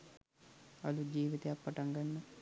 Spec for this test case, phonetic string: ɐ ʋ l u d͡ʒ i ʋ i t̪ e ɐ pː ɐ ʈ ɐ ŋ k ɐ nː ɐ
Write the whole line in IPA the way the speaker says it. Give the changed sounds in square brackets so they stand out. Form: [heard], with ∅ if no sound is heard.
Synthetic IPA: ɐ [∅] l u d͡ʒ [iː] ʋ i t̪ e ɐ pː ɐ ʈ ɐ ŋ [ɡ] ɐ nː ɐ

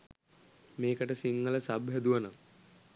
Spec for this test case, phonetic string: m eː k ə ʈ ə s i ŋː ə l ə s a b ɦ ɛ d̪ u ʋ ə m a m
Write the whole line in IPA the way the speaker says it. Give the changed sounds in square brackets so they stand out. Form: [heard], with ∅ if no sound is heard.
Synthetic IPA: m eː k ə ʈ ə s i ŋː ə l ə s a b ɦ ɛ d̪ u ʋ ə [n] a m

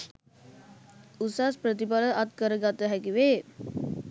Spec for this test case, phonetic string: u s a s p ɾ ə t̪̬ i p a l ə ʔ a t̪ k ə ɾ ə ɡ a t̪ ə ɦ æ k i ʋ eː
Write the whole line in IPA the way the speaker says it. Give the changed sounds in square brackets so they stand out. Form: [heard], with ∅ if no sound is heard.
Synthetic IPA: u s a s p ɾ ə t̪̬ i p a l ə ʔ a t̪ k ə ɾ ə ɡ a t̪ ə ɦ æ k i ʋ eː

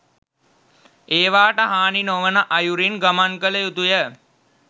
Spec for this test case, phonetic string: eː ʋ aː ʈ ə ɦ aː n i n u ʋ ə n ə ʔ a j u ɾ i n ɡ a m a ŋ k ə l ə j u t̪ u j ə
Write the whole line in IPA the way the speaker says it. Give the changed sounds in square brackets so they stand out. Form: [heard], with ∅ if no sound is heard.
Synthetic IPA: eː ʋ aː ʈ ə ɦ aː n i n [o] ʋ ə n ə ʔ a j u ɾ i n ɡ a m a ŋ k ə l ə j u t̪ u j ə

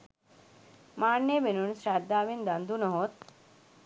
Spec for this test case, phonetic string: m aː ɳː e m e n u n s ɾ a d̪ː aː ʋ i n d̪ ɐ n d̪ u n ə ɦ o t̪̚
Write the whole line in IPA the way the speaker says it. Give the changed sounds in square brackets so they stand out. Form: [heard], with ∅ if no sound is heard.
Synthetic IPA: m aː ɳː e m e n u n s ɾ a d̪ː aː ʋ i n d̪ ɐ n d̪ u n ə ɦ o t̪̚

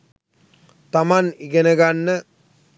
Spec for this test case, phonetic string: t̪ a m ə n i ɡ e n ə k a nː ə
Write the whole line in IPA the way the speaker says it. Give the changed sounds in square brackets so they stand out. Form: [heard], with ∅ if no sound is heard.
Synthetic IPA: t̪ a m [a] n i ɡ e n ə [ɡ] a nː ə

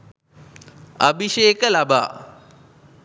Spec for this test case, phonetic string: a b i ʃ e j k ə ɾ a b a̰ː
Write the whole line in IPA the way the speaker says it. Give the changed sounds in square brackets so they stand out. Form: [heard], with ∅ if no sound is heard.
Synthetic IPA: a b i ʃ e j k ə [l] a b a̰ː

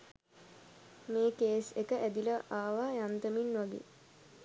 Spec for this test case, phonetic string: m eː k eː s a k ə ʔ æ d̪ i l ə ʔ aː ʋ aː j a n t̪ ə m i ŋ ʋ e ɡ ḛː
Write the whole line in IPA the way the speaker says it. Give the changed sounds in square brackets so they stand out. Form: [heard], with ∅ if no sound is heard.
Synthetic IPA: m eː k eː s [e] k ə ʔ æ d̪ i l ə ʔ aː ʋ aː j a n t̪ ə m i [n] ʋ [a] ɡ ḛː

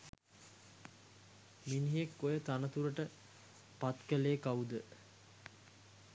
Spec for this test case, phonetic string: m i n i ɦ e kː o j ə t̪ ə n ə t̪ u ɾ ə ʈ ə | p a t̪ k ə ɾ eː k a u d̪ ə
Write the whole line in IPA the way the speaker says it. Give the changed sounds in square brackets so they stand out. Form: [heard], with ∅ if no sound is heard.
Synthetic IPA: m i n i ɦ e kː o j ə t̪ [a] n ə t̪ u ɾ ə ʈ ə | p a t̪ k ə [l] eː k a u d̪ ə

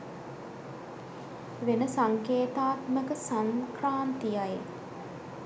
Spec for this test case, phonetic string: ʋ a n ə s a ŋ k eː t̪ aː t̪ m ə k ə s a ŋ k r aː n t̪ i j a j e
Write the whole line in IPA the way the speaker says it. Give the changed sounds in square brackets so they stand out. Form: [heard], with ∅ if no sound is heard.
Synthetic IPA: ʋ [e] n ə s a ŋ k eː t̪ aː t̪ m ə k ə s a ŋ k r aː n t̪ i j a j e

